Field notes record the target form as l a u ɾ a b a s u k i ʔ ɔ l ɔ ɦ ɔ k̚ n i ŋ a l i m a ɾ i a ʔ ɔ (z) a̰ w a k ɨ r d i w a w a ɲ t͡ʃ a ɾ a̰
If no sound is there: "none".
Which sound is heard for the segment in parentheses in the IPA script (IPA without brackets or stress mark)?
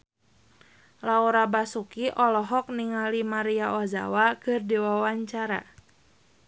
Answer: z